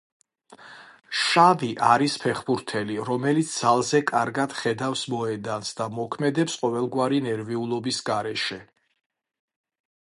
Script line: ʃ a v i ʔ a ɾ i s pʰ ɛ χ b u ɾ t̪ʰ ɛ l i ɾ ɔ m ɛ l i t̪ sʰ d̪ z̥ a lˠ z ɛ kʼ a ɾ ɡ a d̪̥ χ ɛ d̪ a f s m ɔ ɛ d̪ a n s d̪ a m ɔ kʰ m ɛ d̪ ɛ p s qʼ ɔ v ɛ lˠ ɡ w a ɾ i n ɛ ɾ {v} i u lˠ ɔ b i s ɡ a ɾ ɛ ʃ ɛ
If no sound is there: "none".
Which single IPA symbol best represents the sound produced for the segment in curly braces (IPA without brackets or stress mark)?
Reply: v